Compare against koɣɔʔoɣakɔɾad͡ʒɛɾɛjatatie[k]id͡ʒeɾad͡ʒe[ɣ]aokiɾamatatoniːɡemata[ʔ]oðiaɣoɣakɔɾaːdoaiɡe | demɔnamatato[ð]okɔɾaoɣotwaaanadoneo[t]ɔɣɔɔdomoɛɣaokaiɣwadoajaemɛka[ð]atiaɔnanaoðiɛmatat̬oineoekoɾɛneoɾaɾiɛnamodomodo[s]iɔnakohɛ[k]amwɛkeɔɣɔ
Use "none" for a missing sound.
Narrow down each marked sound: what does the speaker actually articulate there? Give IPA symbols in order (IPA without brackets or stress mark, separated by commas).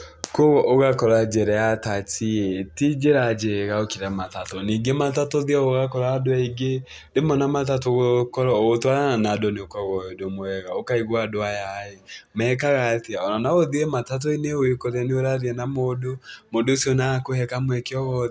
t, ɣ, t, ɣ, k, ɣ, s, k